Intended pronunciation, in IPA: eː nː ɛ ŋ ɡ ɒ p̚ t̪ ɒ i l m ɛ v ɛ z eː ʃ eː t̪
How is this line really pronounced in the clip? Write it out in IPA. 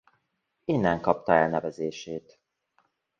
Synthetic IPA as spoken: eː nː ɛ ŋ k ɒ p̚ t̪ ɒ ɛ l n ɛ v ɛ z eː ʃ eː t̪